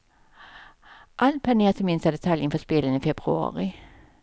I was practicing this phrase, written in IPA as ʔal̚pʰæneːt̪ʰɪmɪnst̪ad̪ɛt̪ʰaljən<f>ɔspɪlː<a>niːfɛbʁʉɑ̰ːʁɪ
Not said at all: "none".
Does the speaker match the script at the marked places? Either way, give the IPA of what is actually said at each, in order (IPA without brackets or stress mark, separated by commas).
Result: f, ə